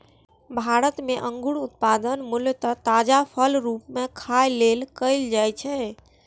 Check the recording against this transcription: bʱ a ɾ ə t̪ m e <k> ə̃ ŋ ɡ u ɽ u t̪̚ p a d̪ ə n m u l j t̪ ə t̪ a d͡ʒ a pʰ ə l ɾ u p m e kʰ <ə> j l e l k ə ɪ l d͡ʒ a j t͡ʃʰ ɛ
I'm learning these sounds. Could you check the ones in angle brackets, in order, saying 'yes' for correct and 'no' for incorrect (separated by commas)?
no, no